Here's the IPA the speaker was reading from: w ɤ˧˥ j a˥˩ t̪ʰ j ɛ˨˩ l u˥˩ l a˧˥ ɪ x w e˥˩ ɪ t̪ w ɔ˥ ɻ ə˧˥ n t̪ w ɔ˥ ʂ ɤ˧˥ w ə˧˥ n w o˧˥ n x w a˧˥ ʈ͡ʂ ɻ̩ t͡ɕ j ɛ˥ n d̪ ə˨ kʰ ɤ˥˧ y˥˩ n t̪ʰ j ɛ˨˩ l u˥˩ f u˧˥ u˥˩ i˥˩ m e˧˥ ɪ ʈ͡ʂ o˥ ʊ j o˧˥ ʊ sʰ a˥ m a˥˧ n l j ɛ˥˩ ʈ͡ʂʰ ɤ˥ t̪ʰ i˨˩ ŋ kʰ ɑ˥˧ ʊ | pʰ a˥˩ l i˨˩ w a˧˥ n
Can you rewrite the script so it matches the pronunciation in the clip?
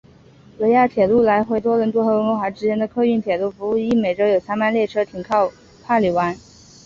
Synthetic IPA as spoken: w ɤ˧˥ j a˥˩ t̪ʰ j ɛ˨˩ l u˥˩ l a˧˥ ɪ x w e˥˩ ɪ t̪ w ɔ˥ ɻ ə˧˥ n t̪ w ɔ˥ x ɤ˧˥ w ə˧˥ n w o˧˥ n x w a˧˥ ʈ͡ʂ ɻ̩ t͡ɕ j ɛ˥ n d̪ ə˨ kʰ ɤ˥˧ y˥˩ n t̪ʰ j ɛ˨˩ l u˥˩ f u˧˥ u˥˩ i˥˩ m e˨˩ ɪ ʈ͡ʂ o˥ ʊ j o˨˩ ʊ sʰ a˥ m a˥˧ n l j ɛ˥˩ ʈ͡ʂʰ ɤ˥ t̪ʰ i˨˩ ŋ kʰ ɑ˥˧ ʊ | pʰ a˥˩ l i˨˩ w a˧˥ n